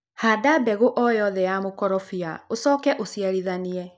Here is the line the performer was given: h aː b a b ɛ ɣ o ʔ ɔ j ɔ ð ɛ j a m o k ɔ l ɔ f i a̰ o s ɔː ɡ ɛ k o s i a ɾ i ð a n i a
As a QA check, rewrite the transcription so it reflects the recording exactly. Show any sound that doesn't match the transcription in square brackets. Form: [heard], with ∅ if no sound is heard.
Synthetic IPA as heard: h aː [d] a b ɛ ɣ o ʔ ɔ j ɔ ð ɛ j a m o k ɔ [ɾ] ɔ f i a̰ o s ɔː [k] ɛ [ʔ] o s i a ɾ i ð a n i [ɛ]